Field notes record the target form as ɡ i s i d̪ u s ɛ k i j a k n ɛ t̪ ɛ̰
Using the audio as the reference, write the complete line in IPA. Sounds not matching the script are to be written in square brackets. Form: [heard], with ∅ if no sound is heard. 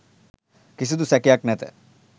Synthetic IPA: [k] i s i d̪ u s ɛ k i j a k n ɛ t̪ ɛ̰